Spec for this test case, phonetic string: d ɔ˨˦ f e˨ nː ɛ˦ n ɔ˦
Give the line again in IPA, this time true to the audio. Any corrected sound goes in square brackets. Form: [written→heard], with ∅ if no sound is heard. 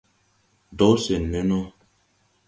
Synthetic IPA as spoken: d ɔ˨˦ [f→s] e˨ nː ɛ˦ n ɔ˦